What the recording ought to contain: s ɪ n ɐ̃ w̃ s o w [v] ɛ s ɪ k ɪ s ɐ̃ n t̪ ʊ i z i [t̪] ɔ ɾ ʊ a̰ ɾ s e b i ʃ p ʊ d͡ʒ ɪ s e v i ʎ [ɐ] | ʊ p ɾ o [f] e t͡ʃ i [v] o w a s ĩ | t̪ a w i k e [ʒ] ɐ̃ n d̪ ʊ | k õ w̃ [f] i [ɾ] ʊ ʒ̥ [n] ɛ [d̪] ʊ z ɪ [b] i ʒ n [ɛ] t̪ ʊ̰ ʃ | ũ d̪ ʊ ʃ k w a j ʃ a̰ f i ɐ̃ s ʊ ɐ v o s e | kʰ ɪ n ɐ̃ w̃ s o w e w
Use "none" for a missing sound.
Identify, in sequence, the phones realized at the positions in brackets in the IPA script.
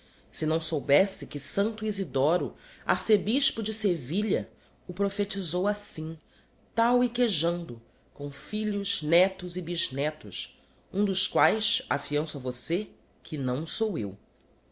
b, d̪, ɐ, f, z, ʒ, f, ʎ, n, t̪, b, ɛ

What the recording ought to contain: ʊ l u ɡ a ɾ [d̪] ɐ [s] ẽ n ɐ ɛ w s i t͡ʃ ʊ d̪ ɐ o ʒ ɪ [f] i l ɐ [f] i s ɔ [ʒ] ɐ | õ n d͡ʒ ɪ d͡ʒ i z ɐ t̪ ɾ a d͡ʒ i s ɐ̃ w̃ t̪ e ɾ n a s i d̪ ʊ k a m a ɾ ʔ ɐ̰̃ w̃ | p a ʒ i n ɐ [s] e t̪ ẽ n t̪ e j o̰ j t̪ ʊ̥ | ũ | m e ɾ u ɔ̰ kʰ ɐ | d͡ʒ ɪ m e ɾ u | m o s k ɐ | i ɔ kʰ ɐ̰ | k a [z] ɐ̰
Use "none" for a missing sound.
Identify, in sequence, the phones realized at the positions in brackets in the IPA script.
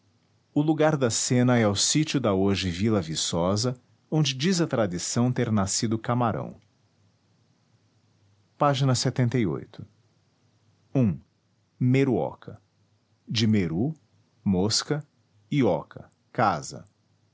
d̪, s, v, v, z, s, z

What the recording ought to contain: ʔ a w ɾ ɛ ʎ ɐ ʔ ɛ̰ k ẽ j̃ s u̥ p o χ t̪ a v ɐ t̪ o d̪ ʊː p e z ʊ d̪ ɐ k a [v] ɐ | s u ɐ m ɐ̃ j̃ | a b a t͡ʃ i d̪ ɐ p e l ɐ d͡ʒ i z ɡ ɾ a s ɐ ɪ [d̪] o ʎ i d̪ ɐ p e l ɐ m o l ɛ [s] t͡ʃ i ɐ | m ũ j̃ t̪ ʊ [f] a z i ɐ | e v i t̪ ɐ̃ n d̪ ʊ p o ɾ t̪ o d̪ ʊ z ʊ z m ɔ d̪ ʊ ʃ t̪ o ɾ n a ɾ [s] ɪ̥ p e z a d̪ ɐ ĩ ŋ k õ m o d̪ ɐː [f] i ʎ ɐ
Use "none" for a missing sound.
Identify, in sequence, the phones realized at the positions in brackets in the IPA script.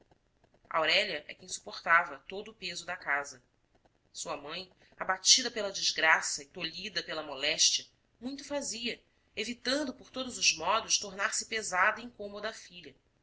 z, t̪, ʃ, f, s, f

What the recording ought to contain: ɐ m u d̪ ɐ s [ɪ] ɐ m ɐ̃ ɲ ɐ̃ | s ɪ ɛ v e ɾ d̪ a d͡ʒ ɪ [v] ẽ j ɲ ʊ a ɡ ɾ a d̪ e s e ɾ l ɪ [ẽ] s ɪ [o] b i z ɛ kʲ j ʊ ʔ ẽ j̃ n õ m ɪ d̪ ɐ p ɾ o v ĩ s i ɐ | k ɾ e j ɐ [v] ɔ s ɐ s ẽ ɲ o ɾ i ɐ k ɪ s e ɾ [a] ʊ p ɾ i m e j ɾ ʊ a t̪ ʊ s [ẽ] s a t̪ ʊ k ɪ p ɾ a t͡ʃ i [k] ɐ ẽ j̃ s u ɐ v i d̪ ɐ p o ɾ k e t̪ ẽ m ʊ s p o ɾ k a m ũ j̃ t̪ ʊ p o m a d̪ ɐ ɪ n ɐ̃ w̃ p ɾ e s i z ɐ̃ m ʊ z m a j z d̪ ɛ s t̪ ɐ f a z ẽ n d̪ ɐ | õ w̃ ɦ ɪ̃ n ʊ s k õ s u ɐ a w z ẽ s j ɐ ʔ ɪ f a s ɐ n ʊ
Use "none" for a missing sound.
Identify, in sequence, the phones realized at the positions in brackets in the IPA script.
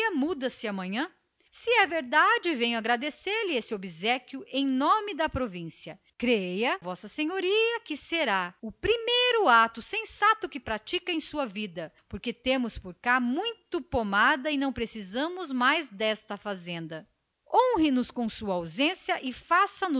ɪ, v, e, o, v, a, ẽ, k

